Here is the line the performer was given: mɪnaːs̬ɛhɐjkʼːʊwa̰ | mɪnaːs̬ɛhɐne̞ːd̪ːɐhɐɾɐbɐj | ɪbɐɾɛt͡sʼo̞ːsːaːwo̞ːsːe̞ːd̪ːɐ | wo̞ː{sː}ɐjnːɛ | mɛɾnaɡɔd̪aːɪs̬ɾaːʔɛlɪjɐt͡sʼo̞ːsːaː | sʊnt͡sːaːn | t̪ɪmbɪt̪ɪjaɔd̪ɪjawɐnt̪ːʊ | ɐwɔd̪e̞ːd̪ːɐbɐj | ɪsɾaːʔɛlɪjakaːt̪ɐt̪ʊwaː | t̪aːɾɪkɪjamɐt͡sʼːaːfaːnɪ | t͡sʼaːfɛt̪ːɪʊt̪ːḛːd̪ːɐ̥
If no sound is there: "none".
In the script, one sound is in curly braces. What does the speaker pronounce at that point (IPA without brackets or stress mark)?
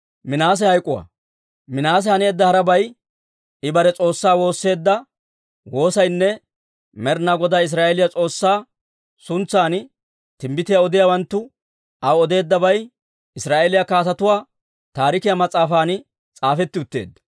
s